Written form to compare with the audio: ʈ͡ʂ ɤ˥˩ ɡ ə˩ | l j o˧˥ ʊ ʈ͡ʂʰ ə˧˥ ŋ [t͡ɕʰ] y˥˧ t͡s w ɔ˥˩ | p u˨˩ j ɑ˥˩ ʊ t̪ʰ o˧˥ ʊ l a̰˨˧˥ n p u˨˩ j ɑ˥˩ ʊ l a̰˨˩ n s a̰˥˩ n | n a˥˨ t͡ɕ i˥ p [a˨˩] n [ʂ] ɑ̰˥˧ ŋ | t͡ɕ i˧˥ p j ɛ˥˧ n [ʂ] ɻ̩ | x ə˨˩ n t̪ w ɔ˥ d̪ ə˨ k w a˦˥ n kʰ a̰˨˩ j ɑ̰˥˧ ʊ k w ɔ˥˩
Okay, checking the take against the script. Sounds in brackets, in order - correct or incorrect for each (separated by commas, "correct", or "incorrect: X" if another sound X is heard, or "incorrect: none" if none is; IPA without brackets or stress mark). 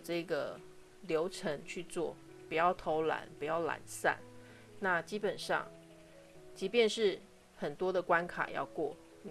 correct, incorrect: ə˨˩, correct, correct